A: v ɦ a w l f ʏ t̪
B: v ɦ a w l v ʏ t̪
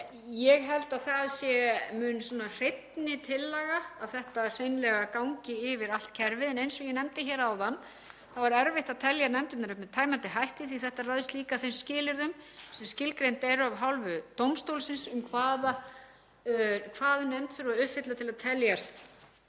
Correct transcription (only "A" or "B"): B